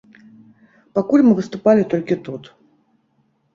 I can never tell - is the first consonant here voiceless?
yes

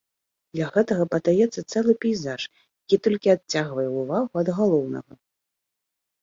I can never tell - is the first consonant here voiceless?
no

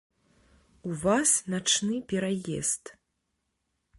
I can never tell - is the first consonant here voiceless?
no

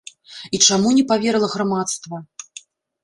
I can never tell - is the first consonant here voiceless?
yes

